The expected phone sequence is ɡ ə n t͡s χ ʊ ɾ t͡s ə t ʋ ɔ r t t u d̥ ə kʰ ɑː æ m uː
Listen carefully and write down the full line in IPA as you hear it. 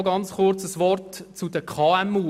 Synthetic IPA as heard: ɡ ɑ n t͡s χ ʊ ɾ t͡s ə s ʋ ɔ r t t͡s u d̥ ə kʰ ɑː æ m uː